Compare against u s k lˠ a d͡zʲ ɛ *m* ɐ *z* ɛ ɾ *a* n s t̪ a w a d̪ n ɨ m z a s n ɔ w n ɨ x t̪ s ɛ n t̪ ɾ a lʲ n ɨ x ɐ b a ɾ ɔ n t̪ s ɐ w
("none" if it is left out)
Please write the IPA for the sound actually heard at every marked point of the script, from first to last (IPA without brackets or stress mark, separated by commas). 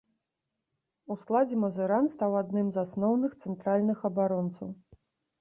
m, z, a